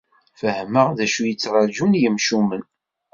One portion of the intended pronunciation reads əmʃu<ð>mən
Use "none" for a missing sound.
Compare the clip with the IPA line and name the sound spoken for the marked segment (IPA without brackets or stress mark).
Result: none